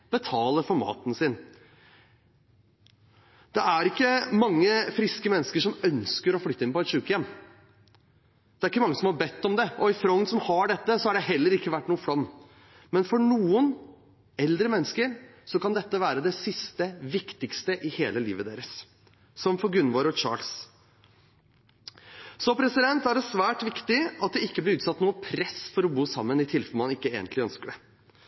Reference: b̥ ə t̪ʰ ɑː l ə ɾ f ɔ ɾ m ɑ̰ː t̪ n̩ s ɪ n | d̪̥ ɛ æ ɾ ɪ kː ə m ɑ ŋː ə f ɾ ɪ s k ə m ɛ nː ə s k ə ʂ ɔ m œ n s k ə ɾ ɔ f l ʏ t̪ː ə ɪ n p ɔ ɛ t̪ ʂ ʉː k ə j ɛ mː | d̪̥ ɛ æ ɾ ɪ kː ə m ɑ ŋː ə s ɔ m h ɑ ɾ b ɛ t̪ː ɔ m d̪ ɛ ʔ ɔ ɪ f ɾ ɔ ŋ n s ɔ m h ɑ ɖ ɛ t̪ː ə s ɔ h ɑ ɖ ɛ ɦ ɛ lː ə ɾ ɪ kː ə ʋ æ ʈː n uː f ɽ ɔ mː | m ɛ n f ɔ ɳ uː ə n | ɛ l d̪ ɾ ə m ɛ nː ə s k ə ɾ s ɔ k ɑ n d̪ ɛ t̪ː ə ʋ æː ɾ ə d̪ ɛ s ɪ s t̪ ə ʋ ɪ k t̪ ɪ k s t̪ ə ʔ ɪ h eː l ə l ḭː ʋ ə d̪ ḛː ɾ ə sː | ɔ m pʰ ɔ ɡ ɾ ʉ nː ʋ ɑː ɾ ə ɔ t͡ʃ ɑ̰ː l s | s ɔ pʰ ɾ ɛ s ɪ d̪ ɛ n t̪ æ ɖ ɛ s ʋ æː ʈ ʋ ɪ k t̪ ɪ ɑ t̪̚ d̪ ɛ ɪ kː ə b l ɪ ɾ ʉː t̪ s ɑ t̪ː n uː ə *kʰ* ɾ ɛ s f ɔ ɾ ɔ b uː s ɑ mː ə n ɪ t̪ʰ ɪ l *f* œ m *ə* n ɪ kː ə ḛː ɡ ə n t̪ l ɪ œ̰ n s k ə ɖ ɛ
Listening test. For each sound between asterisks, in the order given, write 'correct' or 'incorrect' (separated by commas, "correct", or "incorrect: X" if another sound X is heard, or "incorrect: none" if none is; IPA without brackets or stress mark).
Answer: incorrect: pʰ, correct, incorrect: ɑ